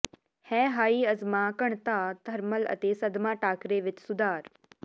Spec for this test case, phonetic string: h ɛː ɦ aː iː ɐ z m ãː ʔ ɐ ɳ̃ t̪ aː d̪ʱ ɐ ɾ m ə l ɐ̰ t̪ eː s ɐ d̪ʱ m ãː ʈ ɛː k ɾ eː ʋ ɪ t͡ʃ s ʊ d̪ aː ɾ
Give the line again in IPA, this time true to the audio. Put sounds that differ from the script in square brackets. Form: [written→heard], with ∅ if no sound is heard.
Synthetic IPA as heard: h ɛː ɦ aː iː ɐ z m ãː [ʔ→k] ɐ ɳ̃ t̪ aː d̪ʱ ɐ ɾ m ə l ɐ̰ t̪ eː s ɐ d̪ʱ m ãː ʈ [ɛː→aː] k ɾ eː ʋ ɪ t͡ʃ s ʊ d̪ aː ɾ